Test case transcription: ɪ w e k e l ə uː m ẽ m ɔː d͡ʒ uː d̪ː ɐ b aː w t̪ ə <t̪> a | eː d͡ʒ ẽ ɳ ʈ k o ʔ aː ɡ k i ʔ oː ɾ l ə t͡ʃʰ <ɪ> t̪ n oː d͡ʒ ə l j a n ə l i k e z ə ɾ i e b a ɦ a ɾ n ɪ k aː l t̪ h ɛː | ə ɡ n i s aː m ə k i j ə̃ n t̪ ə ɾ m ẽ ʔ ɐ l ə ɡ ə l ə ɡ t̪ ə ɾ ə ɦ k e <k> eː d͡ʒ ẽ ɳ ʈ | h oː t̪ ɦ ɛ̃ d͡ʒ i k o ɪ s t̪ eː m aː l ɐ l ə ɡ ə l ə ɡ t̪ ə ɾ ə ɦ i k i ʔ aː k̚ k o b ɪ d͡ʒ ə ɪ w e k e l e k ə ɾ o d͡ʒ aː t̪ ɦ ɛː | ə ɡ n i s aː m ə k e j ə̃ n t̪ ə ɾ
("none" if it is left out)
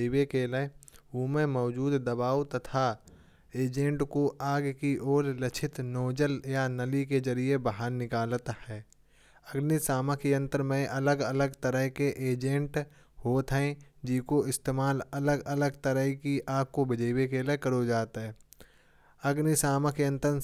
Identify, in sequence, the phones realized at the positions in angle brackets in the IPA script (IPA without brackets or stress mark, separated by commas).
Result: t̪ʰ, ɪ, ʔ